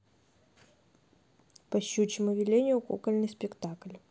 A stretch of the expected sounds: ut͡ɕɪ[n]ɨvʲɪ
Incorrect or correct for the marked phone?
incorrect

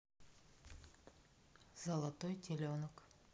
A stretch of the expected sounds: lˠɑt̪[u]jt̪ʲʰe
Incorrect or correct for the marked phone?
incorrect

